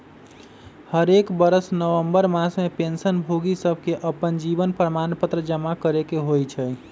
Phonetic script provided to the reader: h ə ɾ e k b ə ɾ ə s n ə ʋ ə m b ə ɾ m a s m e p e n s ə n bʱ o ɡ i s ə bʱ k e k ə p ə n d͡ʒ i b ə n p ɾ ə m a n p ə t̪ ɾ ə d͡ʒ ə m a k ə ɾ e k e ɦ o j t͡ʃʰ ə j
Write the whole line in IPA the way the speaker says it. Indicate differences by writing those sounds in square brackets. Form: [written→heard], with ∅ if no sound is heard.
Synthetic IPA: h ə ɾ e k b ə ɾ ə s n ə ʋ ə m b ə ɾ m a s m e p e n s ə n bʱ o ɡ i s ə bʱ k e [k→ʔ] ə p ə n d͡ʒ i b ə n p ɾ ə m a n p ə t̪ ɾ ə d͡ʒ ə m a k ə ɾ e k e ɦ o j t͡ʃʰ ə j

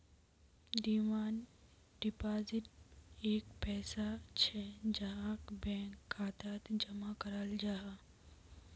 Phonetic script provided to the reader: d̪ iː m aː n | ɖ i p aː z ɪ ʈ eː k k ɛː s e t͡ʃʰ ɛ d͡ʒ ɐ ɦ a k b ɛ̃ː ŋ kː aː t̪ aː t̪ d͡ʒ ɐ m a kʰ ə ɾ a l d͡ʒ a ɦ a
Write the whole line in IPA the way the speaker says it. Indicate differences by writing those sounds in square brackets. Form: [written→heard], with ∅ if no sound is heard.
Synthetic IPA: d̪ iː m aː n | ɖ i p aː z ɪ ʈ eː k [k→p] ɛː s [e→a] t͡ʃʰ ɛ d͡ʒ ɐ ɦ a k b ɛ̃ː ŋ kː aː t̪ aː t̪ d͡ʒ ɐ m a [kʰ→k] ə ɾ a l d͡ʒ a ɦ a

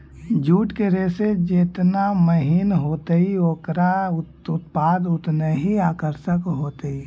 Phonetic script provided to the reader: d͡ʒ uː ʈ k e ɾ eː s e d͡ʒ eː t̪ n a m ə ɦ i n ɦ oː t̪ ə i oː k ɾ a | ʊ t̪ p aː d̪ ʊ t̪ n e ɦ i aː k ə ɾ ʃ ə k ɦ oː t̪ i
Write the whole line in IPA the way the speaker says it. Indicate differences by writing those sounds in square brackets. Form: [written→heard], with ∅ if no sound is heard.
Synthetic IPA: d͡ʒ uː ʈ k e ɾ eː s e d͡ʒ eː t̪ n a m ə ɦ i n ɦ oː t̪ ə i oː k ɾ a | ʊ t̪ p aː d̪ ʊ t̪ n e ɦ i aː k ə ɾ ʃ ə k ɦ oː t̪ i

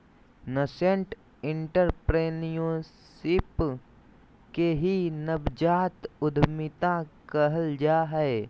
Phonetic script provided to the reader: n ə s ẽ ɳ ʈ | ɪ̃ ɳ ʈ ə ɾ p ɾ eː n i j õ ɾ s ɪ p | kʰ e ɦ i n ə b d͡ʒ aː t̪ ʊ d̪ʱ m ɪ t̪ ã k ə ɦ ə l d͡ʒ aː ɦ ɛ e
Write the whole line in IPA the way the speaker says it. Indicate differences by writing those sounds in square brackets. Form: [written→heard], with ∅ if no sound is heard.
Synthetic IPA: n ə s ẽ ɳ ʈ | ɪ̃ ɳ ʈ ə ɾ p ɾ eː n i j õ [ɾ→∅] s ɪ p | [kʰ→k] e ɦ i n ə b d͡ʒ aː t̪ ʊ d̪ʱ m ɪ t̪ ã k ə ɦ ə l d͡ʒ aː ɦ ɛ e

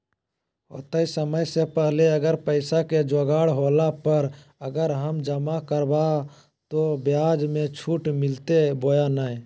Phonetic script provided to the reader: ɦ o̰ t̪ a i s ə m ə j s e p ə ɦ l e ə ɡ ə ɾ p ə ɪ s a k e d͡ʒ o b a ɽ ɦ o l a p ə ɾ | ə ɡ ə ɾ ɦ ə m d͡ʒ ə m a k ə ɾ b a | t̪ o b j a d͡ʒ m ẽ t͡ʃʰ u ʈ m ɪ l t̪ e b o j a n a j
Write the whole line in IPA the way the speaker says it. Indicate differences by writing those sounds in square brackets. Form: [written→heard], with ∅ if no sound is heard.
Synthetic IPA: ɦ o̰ t̪ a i s ə m ə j s e p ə ɦ l e ə ɡ ə ɾ p ə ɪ s a k e d͡ʒ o [b→ɡ] a ɽ ɦ o l a p ə ɾ | ə ɡ ə ɾ ɦ ə m d͡ʒ ə m a k ə ɾ b a | t̪ o b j a d͡ʒ m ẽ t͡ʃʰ u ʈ m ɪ l t̪ e b o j a n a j

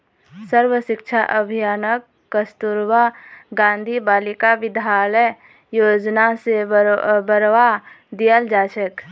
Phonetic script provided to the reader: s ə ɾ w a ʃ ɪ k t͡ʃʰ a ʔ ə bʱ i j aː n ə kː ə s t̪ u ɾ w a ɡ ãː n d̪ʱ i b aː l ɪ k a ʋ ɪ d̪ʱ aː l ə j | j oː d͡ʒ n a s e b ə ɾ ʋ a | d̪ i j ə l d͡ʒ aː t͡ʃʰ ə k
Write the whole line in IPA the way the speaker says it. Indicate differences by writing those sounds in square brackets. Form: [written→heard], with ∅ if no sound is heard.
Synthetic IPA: s ə ɾ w [a→ə] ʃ ɪ k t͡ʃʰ a ʔ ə bʱ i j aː n ə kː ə s t̪ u ɾ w a ɡ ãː n d̪ʱ i b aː l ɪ k a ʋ ɪ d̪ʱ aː l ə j | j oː d͡ʒ n a s e b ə ɾ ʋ a | d̪ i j ə l d͡ʒ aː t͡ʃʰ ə k

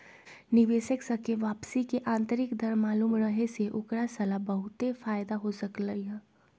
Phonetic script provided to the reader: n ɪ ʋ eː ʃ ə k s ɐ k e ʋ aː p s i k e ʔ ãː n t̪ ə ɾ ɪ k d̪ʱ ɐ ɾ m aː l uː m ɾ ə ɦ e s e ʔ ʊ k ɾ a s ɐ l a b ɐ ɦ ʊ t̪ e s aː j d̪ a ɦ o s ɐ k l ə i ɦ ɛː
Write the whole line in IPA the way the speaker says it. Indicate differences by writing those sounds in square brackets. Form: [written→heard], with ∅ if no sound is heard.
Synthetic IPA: n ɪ ʋ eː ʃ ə k s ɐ k e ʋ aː p s i k e ʔ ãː n t̪ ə ɾ ɪ k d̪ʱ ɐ ɾ m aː l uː m ɾ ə ɦ e s e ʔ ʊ k ɾ a s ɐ l a b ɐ ɦ ʊ t̪ e [s→f] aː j d̪ a ɦ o s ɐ k l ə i ɦ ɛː

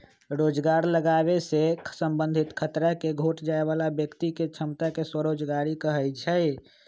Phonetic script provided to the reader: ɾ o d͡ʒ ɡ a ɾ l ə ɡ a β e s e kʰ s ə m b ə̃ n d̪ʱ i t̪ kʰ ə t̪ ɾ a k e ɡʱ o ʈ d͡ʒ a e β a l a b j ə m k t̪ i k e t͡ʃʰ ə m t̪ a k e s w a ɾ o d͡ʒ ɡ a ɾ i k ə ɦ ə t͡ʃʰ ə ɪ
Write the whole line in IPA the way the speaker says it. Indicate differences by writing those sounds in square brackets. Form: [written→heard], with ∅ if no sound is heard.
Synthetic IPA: ɾ o d͡ʒ ɡ a ɾ l ə ɡ a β e s e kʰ s ə m b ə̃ n d̪ʱ i t̪ kʰ ə t̪ ɾ a k e ɡʱ o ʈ d͡ʒ a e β a l a b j ə [m→∅] k t̪ i k e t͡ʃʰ ə m t̪ a k e s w [a→ə] ɾ o d͡ʒ ɡ a ɾ i k ə ɦ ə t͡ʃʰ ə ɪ

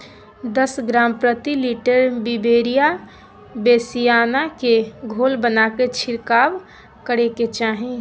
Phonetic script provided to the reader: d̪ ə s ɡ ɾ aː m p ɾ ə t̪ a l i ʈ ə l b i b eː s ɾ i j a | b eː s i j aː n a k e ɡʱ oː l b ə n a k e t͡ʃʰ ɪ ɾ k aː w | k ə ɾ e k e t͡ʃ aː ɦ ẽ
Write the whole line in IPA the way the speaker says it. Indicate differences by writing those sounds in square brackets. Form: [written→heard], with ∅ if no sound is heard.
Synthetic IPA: d̪ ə s ɡ ɾ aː m p ɾ ə t̪ [a→i] l i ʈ ə [l→ɾ] b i b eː [s→∅] ɾ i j a | b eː s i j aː n a k e ɡʱ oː l b ə n a k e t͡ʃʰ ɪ ɾ k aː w | k ə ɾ e k e t͡ʃ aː ɦ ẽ

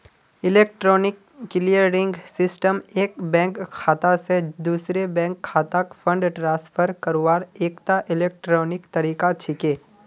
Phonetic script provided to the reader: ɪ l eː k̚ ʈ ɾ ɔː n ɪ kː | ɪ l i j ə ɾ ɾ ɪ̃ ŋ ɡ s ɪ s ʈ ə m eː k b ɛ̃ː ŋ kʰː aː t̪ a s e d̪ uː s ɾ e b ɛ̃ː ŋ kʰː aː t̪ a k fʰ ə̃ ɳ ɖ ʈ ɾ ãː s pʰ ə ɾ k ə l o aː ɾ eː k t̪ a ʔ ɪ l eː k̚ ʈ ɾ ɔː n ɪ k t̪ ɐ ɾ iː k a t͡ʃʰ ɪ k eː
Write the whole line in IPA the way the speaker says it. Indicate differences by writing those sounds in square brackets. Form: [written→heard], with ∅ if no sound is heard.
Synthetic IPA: ɪ l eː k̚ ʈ ɾ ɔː n ɪ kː | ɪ l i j ə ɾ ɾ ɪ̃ ŋ ɡ s ɪ s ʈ ə m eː k b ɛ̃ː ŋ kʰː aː t̪ a s e d̪ uː s ɾ e b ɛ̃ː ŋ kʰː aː t̪ a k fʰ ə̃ ɳ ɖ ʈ ɾ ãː s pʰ ə ɾ k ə [l→ɾ] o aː ɾ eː k t̪ a ʔ ɪ l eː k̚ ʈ ɾ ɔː n ɪ k t̪ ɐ ɾ iː k a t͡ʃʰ ɪ k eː

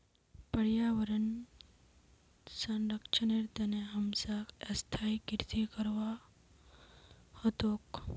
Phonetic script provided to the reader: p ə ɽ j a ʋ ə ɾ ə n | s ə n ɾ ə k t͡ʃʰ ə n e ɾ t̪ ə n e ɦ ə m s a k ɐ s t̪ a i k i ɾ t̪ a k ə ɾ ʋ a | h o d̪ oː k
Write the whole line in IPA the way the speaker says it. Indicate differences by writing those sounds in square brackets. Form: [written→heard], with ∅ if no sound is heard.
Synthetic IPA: p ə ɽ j a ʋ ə ɾ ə n | s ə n ɾ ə k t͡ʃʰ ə n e ɾ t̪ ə n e ɦ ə m s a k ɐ s [t̪→t̪ʰ] a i k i ɾ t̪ [a→i] k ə ɾ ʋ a | h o [d̪→t̪] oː k

